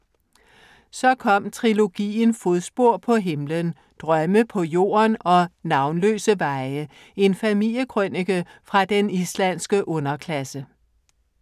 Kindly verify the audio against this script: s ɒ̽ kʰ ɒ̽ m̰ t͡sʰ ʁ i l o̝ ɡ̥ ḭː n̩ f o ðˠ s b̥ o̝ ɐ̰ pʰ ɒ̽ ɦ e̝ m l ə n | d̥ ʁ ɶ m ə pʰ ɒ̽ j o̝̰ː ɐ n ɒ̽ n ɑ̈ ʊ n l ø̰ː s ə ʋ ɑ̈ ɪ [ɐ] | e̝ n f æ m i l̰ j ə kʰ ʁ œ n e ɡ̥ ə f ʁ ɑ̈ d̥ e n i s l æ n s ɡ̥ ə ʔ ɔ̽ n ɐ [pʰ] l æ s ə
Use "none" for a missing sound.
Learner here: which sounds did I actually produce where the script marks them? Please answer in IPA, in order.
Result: ə, kʰ

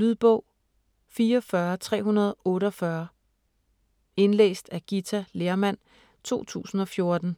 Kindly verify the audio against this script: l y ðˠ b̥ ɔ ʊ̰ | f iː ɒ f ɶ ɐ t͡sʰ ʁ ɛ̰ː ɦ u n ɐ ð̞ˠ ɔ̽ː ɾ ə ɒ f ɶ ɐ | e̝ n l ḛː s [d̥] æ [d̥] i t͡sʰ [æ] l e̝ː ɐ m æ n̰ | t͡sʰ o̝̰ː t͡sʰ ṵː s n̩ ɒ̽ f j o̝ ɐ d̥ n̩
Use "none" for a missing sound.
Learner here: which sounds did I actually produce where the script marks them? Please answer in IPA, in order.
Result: d̥, ɡ̥, æ

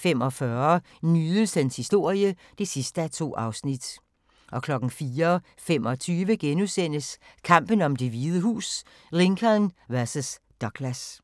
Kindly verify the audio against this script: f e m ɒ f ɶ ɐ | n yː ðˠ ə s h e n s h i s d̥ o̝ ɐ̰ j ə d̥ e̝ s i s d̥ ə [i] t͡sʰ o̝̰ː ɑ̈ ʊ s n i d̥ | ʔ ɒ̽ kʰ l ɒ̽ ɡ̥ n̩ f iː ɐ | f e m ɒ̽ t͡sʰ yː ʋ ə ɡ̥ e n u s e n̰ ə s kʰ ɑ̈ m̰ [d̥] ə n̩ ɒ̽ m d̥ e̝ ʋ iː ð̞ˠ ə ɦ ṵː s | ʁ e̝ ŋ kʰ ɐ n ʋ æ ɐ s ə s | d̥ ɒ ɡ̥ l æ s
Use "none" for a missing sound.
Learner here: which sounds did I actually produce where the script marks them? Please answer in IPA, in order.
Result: æ, b̥

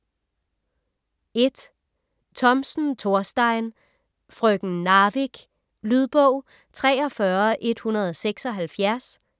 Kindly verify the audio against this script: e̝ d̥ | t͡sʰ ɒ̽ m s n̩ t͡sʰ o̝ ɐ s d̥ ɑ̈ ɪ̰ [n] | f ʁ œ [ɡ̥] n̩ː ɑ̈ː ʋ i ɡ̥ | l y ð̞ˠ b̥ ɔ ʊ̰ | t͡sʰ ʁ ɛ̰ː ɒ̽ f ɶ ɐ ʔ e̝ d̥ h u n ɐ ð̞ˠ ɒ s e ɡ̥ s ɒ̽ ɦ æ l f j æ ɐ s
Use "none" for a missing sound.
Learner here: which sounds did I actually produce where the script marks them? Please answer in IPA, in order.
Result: n, ɡ̥

